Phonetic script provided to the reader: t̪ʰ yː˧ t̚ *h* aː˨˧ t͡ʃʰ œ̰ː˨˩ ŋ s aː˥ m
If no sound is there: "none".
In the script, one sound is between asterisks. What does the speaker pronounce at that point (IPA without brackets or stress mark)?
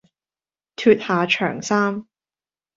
h